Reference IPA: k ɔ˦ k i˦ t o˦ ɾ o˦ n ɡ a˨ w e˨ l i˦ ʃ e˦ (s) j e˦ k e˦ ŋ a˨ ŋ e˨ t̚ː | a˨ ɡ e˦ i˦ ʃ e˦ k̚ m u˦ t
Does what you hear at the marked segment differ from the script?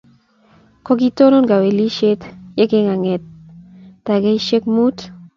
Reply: yes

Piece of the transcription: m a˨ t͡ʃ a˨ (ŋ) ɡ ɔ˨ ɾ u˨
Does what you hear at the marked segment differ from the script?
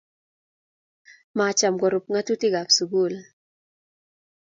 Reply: yes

